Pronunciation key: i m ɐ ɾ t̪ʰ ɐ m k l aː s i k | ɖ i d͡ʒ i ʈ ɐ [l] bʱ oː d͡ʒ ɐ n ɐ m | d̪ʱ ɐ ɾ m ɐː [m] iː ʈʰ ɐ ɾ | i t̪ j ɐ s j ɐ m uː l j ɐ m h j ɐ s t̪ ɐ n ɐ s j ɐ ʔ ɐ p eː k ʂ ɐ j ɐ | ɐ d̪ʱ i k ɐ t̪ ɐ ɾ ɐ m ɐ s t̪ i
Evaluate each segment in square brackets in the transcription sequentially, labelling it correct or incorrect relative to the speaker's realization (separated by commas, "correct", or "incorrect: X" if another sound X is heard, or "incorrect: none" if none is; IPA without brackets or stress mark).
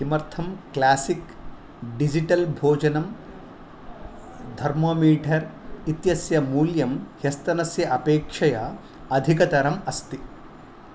correct, correct